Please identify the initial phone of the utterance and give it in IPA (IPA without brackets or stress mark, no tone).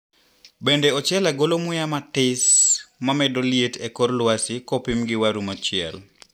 b